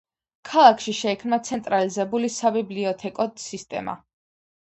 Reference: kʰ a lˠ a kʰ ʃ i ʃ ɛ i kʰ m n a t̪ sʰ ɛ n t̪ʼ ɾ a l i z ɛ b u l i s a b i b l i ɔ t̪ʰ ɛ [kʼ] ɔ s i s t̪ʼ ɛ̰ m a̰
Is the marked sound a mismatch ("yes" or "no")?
no